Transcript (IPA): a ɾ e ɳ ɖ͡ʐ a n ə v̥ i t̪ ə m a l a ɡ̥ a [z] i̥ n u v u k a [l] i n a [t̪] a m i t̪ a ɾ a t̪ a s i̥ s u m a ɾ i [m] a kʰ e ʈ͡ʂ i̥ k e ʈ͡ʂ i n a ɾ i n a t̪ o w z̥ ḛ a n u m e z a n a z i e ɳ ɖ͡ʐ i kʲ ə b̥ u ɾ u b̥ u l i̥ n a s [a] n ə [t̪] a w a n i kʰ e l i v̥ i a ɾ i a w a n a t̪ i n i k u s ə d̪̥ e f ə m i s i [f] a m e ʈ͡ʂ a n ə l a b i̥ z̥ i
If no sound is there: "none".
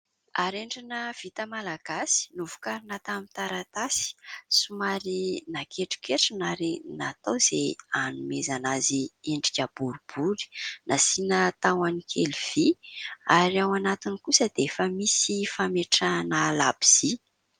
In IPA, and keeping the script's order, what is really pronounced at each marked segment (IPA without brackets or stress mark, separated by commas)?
s, ɾ, t̪, n, i, t̪, f